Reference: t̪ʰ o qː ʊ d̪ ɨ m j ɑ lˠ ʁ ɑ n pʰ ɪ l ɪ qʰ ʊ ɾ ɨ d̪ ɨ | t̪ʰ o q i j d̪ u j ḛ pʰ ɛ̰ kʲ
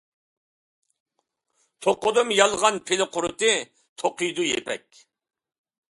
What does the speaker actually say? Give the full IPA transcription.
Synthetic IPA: t̪ʰ o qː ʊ d̪ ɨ m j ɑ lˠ ʁ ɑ n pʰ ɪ l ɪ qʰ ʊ ɾ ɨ t̪ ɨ | t̪ʰ o q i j d̪ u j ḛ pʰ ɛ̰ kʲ